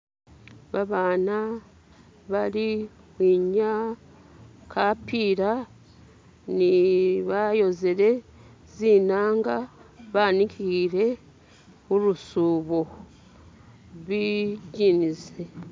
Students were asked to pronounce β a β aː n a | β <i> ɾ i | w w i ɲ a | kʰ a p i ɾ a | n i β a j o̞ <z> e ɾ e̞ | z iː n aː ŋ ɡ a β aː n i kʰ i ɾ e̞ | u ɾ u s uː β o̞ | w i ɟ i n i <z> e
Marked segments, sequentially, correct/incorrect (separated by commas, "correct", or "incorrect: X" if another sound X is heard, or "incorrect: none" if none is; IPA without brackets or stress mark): incorrect: a, correct, correct